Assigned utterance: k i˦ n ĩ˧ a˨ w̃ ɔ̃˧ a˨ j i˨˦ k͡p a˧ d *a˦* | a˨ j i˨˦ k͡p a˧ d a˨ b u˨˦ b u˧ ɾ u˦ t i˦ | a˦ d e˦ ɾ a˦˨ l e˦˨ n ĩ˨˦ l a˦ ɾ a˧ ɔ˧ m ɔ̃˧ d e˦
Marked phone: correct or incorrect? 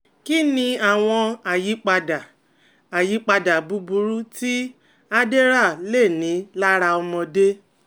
incorrect